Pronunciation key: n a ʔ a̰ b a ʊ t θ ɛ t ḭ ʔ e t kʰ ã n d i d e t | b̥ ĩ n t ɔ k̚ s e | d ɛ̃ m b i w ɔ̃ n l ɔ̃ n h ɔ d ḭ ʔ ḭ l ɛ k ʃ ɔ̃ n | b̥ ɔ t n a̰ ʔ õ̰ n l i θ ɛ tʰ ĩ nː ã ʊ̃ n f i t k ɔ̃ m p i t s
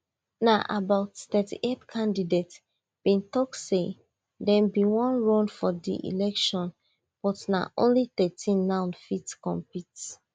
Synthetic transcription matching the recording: n a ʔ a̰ b a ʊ t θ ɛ t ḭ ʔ e t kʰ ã n d i d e t | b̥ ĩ n t ɔ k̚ s e | d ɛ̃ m b i w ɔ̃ n ɹ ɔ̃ n f ɔ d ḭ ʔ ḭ l ɛ k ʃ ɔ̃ n | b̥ ɔ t n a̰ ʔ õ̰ n l i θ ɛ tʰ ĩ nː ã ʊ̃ n f i t k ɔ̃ m p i t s